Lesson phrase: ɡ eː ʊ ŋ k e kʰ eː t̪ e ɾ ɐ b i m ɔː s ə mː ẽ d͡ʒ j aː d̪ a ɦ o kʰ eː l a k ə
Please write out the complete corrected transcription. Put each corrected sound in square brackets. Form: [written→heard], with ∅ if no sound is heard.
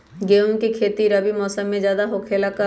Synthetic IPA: ɡ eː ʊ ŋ k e kʰ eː t̪ [e→i] ɾ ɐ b i m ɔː s ə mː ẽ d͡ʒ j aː d̪ a ɦ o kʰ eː l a k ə